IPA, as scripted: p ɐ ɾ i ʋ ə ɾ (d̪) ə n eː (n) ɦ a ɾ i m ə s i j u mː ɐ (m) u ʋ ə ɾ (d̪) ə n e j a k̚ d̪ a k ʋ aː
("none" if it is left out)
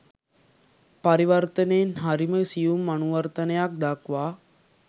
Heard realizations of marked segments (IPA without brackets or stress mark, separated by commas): t̪, n, n, t̪